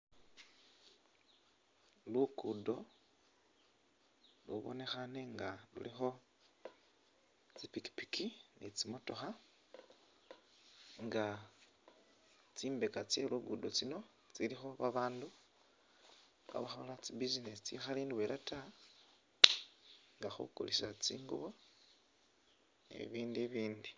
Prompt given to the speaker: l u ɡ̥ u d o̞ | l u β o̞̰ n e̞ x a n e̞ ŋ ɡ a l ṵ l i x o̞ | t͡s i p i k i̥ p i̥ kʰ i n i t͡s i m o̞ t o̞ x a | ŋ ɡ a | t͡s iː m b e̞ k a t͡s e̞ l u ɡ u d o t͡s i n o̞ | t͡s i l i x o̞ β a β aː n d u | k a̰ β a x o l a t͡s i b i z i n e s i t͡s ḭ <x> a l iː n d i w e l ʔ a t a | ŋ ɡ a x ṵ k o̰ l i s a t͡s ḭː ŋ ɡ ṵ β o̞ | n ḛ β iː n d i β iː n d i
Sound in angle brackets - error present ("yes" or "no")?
no